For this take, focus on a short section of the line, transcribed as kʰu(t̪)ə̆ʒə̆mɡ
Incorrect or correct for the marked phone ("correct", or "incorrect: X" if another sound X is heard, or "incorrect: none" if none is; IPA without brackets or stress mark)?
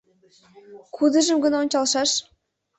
incorrect: d̪